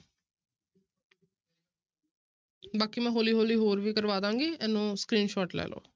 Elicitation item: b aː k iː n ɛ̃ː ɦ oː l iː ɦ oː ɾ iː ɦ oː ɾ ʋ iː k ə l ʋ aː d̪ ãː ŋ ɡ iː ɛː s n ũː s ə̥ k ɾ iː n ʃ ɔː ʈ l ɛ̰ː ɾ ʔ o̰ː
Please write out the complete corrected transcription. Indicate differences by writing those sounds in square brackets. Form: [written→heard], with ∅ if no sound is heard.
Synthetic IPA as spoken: b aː k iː [n→m] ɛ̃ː ɦ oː l iː ɦ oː [ɾ→l] iː ɦ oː ɾ ʋ iː k ə [l→ɾ] ʋ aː d̪ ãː ŋ ɡ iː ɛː [s→∅] n ũː s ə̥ k ɾ iː n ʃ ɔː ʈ l ɛ̰ː [ɾ→l] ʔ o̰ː

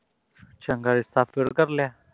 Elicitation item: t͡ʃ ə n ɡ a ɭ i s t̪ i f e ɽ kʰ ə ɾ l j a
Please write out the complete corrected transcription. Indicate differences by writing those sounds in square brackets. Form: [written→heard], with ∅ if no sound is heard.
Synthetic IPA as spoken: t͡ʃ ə [n→ŋ] ɡ a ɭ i s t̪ [i→a] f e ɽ [kʰ→k] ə ɾ l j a

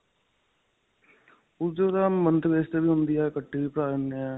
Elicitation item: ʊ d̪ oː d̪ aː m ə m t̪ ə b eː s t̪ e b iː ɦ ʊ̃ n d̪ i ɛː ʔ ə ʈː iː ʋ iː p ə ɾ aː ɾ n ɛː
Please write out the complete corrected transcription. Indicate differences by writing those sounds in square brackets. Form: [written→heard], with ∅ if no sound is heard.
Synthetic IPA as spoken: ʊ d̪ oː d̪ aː m ə [m→n] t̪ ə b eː s t̪ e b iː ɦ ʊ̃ n d̪ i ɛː [ʔ→k] ə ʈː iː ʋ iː p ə ɾ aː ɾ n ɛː

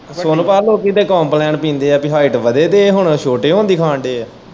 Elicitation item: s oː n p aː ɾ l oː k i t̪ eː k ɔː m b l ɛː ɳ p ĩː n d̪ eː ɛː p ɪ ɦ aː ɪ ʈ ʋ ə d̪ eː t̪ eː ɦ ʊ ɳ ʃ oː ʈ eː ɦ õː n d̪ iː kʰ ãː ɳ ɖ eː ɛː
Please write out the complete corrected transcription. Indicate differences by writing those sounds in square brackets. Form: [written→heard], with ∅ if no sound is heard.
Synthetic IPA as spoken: s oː n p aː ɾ l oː k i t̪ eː k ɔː m [b→p] l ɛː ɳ p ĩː n d̪ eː ɛː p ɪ ɦ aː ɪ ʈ ʋ ə d̪ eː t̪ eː ɦ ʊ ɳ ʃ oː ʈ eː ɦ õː n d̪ iː kʰ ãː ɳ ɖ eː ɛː

